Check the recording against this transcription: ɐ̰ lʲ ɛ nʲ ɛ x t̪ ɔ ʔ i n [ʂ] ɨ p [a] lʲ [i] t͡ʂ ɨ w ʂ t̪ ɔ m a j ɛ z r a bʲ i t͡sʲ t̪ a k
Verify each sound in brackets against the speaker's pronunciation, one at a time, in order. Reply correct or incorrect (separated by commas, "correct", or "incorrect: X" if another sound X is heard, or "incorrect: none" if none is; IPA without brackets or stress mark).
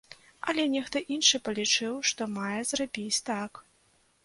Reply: correct, incorrect: ɐ, correct